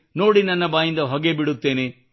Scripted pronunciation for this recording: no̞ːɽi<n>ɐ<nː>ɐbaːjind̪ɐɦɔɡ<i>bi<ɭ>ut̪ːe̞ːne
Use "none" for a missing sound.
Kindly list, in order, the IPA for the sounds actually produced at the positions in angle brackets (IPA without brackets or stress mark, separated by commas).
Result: n, nː, e, ɽ